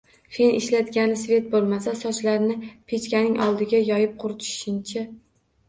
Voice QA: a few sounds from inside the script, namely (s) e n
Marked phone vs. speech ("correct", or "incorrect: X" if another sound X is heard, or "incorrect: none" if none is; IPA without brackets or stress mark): incorrect: f